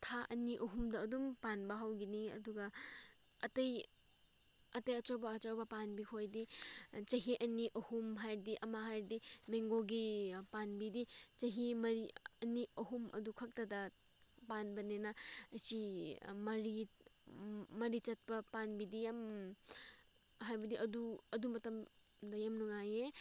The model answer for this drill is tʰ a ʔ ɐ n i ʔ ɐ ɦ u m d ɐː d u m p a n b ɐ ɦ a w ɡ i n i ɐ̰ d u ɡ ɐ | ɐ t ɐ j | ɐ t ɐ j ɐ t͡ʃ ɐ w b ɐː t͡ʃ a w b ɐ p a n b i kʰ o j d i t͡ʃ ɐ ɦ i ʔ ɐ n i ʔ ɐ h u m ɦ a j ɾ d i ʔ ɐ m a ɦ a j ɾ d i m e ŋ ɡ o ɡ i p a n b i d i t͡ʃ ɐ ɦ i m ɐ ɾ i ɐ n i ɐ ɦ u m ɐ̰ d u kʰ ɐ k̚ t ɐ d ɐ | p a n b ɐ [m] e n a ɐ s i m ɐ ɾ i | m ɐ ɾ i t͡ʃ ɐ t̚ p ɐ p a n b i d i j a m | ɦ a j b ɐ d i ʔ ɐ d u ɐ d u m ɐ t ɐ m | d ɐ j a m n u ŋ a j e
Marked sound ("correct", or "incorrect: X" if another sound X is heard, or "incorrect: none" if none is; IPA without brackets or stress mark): incorrect: n